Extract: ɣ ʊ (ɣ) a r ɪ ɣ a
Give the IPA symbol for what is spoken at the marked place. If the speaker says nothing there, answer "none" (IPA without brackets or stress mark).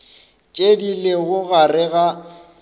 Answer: ɣ